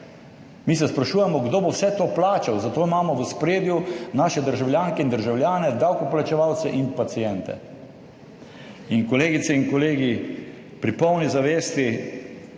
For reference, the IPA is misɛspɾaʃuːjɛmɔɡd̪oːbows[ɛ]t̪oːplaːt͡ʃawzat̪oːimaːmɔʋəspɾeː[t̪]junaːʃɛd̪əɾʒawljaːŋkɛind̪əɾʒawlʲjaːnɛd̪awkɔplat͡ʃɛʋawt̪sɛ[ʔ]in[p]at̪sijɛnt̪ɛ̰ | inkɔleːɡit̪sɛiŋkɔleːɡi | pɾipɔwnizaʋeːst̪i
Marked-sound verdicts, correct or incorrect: correct, incorrect, correct, correct

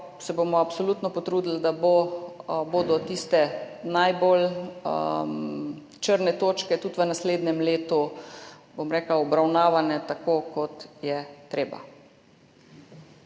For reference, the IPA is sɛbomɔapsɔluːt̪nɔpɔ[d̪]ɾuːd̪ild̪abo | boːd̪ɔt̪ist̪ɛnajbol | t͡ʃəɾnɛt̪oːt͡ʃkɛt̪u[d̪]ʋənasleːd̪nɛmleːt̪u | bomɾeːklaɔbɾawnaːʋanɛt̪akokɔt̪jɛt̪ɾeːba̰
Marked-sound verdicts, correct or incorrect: incorrect, incorrect

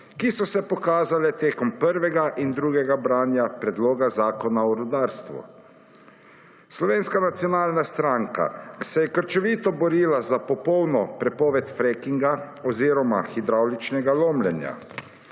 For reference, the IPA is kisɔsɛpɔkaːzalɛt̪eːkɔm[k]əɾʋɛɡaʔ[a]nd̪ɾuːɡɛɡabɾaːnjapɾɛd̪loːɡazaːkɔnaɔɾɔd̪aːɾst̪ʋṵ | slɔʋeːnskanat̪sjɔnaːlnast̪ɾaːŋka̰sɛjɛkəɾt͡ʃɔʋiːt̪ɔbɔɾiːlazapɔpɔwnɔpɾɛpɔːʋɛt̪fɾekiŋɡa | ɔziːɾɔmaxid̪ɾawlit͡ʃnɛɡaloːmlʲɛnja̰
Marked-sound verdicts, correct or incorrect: incorrect, incorrect

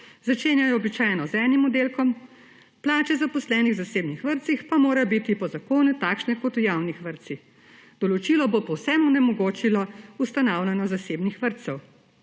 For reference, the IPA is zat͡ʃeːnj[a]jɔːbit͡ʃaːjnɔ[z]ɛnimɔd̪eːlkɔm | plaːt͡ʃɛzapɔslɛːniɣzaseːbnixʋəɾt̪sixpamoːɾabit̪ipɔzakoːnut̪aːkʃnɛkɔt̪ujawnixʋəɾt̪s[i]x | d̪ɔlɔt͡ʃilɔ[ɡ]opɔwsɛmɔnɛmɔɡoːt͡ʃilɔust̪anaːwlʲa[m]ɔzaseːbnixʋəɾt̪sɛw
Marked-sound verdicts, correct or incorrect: correct, correct, correct, incorrect, incorrect

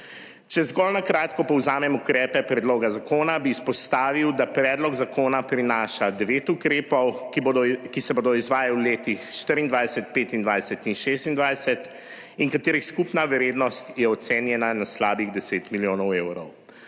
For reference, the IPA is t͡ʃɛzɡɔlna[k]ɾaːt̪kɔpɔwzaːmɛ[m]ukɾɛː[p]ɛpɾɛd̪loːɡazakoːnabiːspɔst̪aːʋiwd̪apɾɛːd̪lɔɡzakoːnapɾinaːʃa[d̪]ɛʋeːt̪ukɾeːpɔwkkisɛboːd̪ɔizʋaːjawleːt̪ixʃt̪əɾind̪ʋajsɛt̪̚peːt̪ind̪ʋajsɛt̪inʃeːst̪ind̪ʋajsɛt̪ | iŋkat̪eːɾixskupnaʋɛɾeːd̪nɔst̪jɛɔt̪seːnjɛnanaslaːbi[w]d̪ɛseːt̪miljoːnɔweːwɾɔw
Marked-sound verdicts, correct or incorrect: correct, correct, correct, correct, incorrect

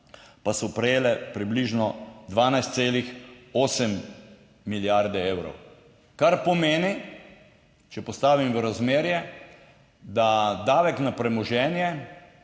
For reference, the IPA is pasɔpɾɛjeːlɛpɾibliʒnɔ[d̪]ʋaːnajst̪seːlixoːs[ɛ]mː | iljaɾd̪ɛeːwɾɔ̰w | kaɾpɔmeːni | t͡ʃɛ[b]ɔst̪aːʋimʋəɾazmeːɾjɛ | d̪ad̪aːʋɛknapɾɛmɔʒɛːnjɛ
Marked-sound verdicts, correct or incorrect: correct, correct, incorrect

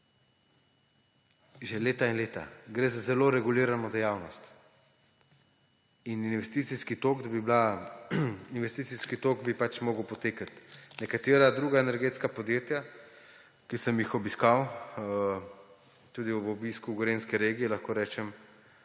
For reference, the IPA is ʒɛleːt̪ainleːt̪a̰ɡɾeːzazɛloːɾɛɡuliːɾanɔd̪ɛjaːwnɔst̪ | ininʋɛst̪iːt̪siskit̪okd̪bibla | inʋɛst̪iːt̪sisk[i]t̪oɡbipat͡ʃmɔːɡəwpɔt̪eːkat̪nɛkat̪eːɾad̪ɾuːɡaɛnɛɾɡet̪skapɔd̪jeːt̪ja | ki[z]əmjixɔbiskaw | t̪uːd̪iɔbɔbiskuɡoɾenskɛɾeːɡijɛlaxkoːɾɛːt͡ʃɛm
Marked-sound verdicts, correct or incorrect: correct, incorrect

